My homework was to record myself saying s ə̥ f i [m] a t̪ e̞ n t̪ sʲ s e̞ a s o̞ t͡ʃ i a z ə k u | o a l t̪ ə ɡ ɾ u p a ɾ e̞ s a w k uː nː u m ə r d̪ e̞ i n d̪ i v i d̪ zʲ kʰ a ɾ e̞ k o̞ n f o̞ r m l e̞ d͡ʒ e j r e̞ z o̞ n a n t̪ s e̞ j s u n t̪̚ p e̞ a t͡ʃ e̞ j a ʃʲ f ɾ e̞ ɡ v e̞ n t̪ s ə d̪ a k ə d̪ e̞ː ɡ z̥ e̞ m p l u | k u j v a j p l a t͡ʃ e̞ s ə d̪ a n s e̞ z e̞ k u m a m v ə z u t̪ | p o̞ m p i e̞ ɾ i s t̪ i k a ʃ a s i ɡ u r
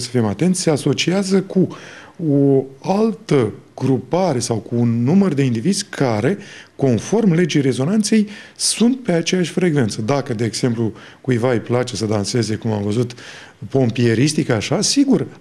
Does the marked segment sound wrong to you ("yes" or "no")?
no